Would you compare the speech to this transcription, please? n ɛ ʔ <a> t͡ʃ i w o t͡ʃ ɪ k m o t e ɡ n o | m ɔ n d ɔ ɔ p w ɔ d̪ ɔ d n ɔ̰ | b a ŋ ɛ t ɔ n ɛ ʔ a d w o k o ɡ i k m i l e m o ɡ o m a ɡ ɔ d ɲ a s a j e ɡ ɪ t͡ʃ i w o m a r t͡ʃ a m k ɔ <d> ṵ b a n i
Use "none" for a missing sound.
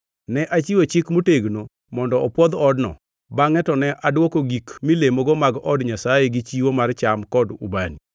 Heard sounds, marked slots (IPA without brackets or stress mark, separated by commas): a, d